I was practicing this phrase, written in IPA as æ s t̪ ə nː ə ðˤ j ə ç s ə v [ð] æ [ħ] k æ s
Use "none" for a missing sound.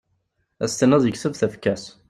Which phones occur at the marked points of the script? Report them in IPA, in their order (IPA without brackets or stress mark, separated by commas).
θ, f